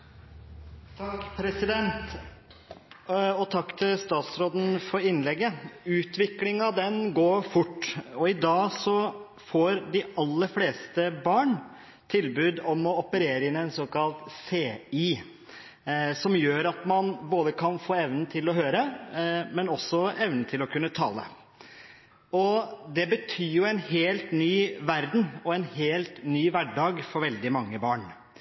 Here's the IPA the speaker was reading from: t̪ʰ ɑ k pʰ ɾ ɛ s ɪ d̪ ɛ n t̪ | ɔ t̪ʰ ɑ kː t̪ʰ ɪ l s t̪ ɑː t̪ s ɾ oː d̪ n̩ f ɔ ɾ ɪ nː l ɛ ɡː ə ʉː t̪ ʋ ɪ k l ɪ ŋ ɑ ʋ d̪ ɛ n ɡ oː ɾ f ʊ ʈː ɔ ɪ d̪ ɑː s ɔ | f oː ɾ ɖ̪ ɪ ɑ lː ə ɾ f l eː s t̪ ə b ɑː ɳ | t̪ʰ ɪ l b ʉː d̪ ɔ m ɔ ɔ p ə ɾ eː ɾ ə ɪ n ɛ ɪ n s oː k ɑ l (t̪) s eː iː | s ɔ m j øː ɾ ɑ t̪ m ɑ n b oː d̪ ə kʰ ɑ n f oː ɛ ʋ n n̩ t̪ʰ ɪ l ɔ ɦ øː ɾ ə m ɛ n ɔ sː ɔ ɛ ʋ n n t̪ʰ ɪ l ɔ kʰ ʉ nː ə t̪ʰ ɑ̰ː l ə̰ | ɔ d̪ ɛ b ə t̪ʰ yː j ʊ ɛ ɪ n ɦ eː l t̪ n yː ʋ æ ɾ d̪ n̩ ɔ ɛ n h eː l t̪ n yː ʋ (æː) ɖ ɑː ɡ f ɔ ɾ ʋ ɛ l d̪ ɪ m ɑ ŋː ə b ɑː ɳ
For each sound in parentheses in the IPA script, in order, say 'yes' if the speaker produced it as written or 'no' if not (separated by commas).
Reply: yes, no